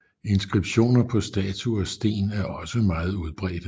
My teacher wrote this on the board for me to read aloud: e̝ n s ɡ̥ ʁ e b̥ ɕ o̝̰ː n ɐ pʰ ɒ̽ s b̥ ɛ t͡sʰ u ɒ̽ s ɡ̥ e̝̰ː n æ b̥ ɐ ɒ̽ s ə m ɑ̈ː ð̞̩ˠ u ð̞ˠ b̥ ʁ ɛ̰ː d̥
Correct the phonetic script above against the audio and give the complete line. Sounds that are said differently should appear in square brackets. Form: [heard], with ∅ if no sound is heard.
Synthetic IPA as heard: e̝ n s ɡ̥ ʁ [i] b̥ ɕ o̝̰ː n ɐ pʰ ɒ̽ s [d̥] ɛ t͡sʰ u ɒ̽ s [d̥] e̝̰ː n æ [∅] ɐ ɒ̽ s ə m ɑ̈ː ð̞̩ˠ u ð̞ˠ b̥ ʁ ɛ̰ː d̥